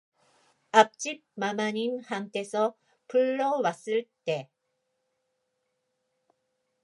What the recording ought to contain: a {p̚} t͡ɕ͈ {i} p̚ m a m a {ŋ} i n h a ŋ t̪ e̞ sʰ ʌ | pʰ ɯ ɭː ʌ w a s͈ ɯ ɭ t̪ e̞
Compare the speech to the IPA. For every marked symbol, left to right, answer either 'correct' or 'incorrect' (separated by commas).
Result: correct, correct, incorrect